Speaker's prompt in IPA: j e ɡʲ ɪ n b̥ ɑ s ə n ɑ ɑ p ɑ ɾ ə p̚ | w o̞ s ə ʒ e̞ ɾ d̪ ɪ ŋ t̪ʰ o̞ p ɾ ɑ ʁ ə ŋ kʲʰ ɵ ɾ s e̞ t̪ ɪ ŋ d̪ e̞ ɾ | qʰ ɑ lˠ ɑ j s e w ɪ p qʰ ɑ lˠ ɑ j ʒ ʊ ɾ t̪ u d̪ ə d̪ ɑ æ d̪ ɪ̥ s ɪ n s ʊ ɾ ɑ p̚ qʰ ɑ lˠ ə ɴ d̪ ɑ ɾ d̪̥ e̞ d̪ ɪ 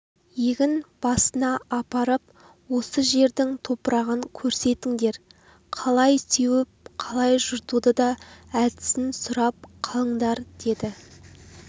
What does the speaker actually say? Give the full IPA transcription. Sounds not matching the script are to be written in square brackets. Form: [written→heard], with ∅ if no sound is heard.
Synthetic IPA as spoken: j e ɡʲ ɪ n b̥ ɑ s ə n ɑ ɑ p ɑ ɾ ə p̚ | w o̞ s ə ʒ e̞ ɾ d̪ ɪ ŋ t̪ʰ o̞ p ɾ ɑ ʁ ə ŋ kʲʰ ɵ ɾ s e̞ t̪ ɪ ŋ d̪ e̞ ɾ | qʰ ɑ lˠ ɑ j s e w ɪ p qʰ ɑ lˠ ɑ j ʒ ʊ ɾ t̪ u d̪ ə d̪ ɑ æ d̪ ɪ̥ s ɪ n s ʊ ɾ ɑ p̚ qʰ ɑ lˠ ə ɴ d̪ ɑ ɾ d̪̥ e̞ d̪ ɪ